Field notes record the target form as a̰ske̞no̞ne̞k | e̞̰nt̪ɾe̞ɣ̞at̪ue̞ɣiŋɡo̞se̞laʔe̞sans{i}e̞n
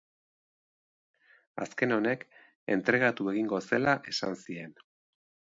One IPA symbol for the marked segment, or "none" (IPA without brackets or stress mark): i